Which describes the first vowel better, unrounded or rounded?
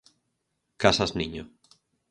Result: unrounded